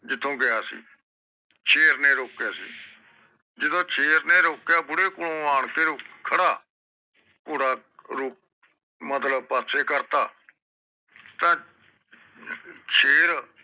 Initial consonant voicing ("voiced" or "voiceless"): voiced